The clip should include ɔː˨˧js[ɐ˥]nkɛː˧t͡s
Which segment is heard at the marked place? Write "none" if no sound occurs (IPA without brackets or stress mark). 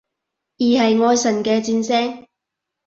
ɐ˨˩